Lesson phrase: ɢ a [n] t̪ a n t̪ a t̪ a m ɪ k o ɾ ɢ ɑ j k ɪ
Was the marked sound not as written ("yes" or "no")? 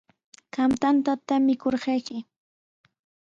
yes